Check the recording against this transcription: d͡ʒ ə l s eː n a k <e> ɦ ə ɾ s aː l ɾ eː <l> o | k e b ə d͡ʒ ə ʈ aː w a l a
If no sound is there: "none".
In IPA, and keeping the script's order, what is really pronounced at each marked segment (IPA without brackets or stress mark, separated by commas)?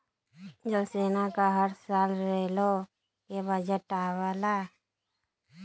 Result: a, l